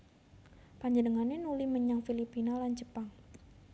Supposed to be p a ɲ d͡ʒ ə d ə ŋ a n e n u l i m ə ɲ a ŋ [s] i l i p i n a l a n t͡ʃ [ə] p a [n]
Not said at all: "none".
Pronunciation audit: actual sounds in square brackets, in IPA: f, ə, ŋ

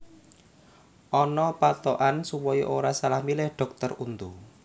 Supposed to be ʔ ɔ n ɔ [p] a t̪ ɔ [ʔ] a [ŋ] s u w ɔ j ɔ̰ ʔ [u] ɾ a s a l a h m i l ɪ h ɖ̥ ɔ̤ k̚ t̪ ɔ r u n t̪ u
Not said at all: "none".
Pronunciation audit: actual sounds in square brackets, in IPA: p, ʔ, n, o

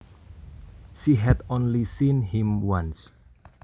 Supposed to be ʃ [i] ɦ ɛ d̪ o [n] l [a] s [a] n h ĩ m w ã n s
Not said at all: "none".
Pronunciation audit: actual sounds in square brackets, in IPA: i, n, i, i

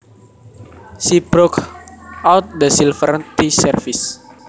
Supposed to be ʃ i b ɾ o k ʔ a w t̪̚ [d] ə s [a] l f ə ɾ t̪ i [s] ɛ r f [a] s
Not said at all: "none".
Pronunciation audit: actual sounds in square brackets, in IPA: d, i, s, i

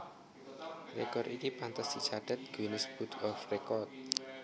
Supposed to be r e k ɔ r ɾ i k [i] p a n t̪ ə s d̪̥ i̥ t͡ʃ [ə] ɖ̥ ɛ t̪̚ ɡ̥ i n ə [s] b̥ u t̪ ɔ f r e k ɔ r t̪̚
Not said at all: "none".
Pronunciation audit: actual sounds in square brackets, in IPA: i, a, s

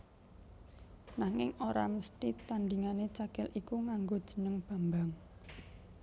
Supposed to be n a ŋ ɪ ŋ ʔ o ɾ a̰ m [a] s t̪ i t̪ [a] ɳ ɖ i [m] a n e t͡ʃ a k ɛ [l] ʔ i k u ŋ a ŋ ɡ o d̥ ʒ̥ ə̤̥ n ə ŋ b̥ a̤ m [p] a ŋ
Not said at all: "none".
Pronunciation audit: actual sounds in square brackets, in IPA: ə, a, ŋ, l, b

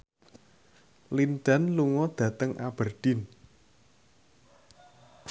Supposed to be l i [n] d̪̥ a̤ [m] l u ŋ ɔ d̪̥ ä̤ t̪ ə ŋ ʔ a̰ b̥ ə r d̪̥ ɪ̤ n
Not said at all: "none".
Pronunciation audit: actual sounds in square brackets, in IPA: n, n

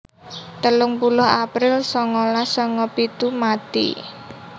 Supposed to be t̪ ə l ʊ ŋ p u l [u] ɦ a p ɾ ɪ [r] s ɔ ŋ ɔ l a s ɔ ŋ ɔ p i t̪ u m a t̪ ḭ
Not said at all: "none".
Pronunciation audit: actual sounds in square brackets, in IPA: ʊ, l

